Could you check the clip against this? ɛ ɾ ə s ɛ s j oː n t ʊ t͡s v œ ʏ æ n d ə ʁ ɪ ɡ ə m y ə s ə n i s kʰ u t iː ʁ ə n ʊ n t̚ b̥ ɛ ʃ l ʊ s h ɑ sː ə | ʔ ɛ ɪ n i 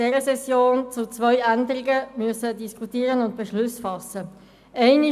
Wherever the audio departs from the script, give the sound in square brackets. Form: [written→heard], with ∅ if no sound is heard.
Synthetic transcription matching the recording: ɛ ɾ ə s ɛ s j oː n [t→t͡s] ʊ t͡s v œ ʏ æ n d ə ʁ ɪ ɡ ə m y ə s ə [n→d] i s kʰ u t iː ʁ ə n ʊ n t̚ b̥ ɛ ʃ l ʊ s [h→f] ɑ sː ə | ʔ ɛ ɪ n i